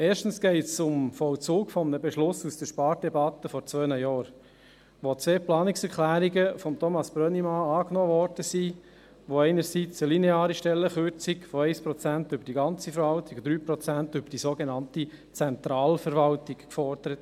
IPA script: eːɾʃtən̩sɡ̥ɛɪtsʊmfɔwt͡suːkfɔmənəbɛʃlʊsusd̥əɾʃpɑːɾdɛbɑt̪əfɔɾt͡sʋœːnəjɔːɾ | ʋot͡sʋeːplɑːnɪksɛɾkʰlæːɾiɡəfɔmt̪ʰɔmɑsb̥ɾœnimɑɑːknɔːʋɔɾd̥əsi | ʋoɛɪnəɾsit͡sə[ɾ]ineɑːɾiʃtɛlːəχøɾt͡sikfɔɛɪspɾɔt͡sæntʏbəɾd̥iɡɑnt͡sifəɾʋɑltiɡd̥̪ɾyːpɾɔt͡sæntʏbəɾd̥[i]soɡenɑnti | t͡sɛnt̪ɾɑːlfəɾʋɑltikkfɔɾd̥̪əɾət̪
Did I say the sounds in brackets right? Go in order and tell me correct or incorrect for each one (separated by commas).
incorrect, correct